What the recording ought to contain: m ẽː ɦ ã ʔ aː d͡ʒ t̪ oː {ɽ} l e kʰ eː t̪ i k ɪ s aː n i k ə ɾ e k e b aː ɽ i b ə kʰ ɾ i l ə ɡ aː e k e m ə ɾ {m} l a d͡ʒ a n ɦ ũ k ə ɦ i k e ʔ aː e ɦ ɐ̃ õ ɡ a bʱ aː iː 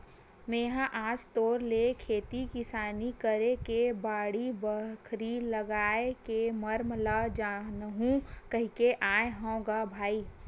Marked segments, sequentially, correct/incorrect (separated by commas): incorrect, correct